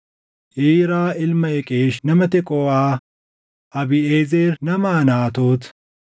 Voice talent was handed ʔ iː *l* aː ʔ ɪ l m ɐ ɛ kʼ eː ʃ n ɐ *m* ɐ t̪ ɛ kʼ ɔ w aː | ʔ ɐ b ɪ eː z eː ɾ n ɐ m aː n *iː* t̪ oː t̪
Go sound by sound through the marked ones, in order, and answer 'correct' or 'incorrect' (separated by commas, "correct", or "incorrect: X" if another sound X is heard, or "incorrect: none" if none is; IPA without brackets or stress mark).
incorrect: ɾ, correct, incorrect: aː